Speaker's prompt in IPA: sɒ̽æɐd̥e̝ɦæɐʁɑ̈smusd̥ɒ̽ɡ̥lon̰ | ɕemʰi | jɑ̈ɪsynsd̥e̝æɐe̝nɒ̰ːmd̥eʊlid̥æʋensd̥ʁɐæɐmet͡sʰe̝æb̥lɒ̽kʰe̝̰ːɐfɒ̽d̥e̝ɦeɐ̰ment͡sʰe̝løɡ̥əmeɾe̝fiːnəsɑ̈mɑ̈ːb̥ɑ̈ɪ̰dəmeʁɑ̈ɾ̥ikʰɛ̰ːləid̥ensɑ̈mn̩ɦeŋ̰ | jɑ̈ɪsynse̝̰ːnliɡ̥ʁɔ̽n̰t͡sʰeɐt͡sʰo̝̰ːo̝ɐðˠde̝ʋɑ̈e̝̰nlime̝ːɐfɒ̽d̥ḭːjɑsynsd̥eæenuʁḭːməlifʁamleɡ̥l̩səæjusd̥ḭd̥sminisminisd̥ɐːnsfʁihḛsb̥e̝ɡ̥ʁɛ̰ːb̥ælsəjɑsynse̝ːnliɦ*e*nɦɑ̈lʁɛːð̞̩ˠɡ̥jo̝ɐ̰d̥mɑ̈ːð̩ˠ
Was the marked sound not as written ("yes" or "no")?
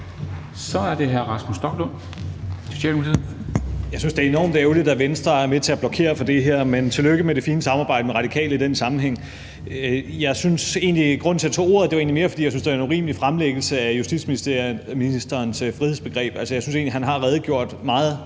yes